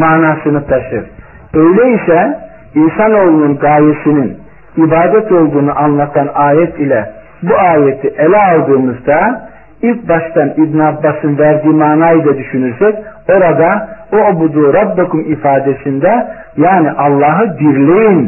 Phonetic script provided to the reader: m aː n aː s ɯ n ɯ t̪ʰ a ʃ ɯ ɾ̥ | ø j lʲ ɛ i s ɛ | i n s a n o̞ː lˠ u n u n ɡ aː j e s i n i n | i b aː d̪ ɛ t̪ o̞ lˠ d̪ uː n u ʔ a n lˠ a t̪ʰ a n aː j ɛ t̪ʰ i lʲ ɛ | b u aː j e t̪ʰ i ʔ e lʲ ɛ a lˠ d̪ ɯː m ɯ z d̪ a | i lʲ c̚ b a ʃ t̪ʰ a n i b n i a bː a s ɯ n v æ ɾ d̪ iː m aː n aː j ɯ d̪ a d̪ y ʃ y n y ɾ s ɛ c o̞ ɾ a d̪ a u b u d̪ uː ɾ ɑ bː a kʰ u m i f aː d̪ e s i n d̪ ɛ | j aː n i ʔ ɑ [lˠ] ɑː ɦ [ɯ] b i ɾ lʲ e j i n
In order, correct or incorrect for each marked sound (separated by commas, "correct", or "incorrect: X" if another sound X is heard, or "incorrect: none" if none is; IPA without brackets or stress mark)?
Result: incorrect: lˠː, correct